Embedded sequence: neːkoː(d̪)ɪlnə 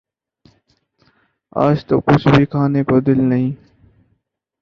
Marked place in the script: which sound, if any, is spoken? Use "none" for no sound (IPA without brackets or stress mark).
d̪